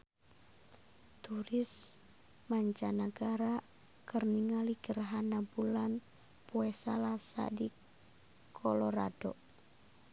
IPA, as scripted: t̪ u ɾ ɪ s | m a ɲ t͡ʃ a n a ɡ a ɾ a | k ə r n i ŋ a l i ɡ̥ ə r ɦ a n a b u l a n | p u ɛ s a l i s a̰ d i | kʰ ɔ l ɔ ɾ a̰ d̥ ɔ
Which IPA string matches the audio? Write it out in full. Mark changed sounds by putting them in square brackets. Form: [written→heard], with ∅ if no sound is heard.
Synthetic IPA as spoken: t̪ u ɾ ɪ s | m a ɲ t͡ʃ a n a ɡ a ɾ a | k ə r n i ŋ a l i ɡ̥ ə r ɦ a n a b u l a n | p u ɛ s a l [i→a] s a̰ d i | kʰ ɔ l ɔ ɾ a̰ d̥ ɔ